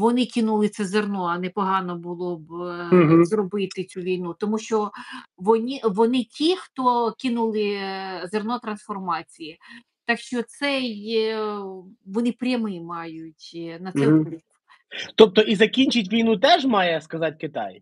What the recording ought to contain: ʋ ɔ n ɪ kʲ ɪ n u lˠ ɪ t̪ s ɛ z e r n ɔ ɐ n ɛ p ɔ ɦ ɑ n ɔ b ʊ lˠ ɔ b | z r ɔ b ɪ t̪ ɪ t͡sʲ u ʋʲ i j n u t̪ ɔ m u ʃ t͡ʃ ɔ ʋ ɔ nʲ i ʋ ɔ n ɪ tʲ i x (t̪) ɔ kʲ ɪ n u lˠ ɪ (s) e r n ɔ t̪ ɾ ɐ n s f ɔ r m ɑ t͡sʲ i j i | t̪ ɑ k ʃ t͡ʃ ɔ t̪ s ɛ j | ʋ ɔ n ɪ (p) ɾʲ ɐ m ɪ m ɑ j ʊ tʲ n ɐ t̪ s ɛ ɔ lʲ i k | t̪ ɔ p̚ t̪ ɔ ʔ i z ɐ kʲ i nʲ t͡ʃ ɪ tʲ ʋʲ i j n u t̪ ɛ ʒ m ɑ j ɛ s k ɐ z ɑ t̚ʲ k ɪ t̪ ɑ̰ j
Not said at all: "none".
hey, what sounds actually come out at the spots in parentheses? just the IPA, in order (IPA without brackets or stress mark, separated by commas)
t̪, z, p